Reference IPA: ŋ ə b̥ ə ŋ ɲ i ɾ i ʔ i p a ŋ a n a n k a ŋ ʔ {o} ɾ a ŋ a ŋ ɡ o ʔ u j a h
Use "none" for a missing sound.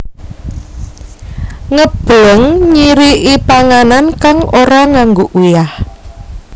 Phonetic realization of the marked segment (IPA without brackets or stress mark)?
o